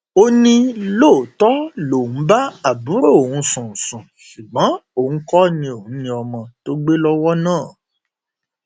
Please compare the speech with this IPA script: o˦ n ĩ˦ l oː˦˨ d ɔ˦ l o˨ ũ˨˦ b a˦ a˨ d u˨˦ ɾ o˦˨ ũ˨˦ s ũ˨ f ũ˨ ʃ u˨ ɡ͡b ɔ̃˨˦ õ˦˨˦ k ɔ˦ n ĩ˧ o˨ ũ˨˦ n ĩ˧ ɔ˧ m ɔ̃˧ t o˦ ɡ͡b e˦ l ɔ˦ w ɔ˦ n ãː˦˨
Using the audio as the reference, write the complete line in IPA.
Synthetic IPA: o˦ n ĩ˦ l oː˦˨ t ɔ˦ l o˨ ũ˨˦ b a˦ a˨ b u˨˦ ɾ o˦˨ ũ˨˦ s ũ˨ s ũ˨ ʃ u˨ ɡ͡b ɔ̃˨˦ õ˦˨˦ k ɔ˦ n ĩ˧ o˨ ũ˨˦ n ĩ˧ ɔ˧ m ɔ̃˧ t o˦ ɡ͡b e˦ l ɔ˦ w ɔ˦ n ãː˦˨